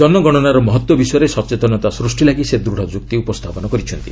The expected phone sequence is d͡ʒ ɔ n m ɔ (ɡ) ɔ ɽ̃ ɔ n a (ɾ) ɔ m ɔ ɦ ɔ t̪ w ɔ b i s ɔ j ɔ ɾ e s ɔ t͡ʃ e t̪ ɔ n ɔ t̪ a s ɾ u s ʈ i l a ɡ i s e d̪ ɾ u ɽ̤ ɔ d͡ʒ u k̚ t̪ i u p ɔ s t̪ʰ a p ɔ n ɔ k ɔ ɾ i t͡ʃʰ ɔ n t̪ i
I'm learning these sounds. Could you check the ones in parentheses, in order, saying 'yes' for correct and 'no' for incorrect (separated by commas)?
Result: yes, yes